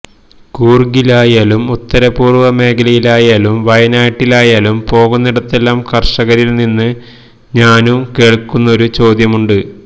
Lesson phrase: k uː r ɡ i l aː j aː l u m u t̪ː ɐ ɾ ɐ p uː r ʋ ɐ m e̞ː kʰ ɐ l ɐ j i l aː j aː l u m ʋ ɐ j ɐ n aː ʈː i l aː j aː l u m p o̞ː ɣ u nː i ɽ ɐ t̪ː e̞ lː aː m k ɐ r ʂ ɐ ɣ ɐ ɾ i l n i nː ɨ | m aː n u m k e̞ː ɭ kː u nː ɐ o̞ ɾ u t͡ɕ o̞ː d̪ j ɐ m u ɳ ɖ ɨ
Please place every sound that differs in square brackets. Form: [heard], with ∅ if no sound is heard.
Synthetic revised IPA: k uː r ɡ i l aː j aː l u m u t̪ː ɐ ɾ ɐ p uː r ʋ ɐ m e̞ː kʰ ɐ l ɐ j i l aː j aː l u m ʋ ɐ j ɐ n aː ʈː i l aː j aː l u m p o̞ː ɣ u nː i ɽ ɐ t̪ː e̞ lː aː m k ɐ r ʂ ɐ ɣ ɐ ɾ i l n i nː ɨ | [ɲ] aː n u m k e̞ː ɭ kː u nː ɐ o̞ ɾ u t͡ɕ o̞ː d̪ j ɐ m u ɳ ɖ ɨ